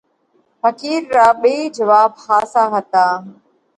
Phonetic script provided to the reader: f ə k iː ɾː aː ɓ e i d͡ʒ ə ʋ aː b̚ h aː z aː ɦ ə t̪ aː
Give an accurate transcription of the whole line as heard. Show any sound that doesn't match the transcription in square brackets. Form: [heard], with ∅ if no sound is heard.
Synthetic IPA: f ə k iː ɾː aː ɓ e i d͡ʒ ə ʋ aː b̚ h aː [s] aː ɦ ə t̪ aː